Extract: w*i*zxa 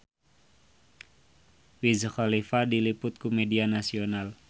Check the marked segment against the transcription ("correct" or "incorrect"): correct